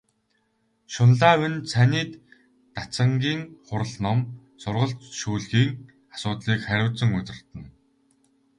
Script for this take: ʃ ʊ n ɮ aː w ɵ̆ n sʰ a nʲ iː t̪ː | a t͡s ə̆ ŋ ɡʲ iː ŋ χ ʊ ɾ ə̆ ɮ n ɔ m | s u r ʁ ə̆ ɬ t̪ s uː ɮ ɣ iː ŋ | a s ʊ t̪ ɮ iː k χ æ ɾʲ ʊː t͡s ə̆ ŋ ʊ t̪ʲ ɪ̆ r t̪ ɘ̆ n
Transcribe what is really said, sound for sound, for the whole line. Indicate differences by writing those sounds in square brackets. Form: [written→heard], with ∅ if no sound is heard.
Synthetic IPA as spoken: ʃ ʊ n ɮ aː w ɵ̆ n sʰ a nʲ iː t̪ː | a t͡s ə̆ ŋ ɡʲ iː ŋ χ ʊ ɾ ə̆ ɮ n ɔ m | s [u→ʊ] r ʁ ə̆ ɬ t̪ [s→ʃ] uː ɮ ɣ iː ŋ | a s [ʊ→ʊː] t̪ ɮ iː k χ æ ɾʲ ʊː t͡s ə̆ ŋ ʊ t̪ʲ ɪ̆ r t̪ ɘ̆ n